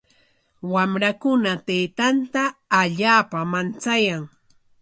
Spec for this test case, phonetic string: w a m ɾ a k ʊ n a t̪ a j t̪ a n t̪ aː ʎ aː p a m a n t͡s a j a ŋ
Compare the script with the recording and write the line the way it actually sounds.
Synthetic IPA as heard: w a m ɾ a k ʊ n a t̪ e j t̪ a n t̪ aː ʎ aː p a m a n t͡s a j a ŋ